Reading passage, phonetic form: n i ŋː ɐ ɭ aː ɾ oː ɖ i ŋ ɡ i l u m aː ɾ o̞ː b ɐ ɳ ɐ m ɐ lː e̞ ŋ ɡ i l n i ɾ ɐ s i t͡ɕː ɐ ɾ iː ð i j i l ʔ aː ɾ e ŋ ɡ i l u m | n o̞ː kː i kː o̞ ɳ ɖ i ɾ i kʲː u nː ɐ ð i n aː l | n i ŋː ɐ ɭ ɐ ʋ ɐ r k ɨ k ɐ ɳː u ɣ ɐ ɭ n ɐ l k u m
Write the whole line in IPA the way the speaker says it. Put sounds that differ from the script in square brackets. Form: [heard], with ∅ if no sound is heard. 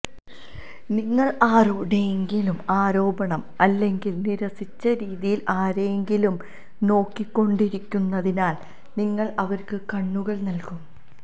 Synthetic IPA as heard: n i ŋː ɐ ɭ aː ɾ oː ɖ [e] ŋ ɡ i l u m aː ɾ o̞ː b ɐ ɳ ɐ m ɐ lː e̞ ŋ ɡ i l n i ɾ ɐ s i t͡ɕː ɐ ɾ iː ð i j i l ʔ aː ɾ e ŋ ɡ i l u m | n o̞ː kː i kː o̞ ɳ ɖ i ɾ i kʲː u nː ɐ ð i n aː l | n i ŋː ɐ ɭ ɐ ʋ ɐ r k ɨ k ɐ ɳː u ɣ ɐ ɭ n ɐ l k u m